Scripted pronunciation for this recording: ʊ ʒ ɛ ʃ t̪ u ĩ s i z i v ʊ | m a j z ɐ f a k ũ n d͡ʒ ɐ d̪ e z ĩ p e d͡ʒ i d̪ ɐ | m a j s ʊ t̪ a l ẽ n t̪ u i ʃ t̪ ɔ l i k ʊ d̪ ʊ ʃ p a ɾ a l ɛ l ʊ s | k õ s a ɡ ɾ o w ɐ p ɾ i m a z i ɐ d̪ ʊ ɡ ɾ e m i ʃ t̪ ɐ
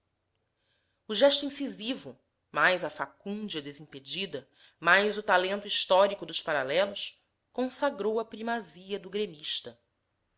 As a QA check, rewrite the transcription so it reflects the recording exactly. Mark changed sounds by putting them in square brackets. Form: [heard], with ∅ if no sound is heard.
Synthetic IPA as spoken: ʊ ʒ ɛ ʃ t̪ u ĩ s i z i v ʊ | m a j z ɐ f a k ũ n d͡ʒ ɐ d̪ e z ĩ p e d͡ʒ i d̪ ɐ | m a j [z] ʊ t̪ a l ẽ n t̪ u i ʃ t̪ ɔ [ɾ] i k ʊ d̪ ʊ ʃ p a ɾ a l ɛ l ʊ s | k õ s a ɡ ɾ o w ɐ p ɾ i m a z i ɐ d̪ ʊ ɡ ɾ e m i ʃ t̪ ɐ